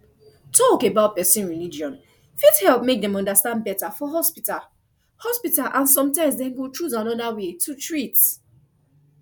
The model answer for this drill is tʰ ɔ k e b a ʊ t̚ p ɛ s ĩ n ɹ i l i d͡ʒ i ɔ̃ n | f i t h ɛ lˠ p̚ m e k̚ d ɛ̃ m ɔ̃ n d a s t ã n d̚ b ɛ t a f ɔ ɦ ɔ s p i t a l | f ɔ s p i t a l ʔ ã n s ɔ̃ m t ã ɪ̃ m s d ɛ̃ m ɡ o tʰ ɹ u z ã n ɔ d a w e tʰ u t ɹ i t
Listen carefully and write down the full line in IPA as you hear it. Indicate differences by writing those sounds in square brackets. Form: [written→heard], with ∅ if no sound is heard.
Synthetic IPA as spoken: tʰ ɔ k e b a ʊ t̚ p ɛ s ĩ n ɹ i l i d͡ʒ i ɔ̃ n | f i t h ɛ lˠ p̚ m e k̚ d ɛ̃ m ɔ̃ n d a s t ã n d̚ b ɛ t a f ɔ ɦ ɔ s p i t a l | [f→h] ɔ s p i t a l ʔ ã n s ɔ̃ m t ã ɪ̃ m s d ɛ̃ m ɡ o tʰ ɹ u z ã n ɔ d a w e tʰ u t ɹ i t